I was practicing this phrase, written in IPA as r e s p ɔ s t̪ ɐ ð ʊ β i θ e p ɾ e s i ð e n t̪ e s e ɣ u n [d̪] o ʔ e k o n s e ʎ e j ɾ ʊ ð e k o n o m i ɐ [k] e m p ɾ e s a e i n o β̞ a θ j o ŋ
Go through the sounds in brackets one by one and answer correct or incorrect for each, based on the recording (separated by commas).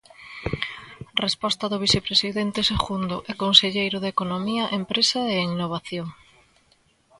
correct, incorrect